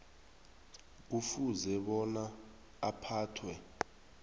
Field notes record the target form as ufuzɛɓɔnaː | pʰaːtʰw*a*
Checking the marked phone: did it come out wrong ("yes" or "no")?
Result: yes